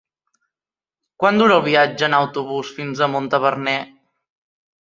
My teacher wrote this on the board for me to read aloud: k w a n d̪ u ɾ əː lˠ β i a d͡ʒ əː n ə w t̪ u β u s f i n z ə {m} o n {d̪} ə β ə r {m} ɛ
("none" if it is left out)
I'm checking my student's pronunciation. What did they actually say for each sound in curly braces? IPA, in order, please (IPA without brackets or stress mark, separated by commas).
m, t̪, n